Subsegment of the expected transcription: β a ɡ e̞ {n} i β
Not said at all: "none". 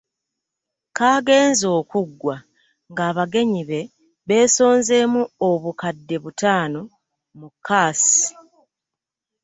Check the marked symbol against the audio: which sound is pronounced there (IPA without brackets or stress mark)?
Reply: ɲ